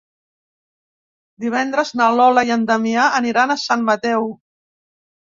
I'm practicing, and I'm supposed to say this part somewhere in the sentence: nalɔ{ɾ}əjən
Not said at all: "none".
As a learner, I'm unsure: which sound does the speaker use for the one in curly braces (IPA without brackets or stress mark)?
l